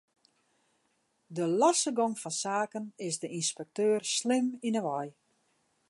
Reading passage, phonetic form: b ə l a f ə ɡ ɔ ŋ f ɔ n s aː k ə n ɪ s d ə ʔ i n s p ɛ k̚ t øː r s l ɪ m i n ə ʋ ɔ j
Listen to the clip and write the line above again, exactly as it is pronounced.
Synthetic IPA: d ə l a s ə ɡ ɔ ŋ f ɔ n s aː k ə n ɪ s d ə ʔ i n s p ɛ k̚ t øː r s l ɪ m i n ə ʋ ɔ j